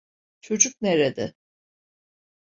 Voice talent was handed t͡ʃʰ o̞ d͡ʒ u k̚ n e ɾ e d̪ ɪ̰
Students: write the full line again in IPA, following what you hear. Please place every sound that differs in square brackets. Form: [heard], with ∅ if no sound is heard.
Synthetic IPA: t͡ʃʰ o̞ d͡ʒ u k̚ n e ɾ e d̪ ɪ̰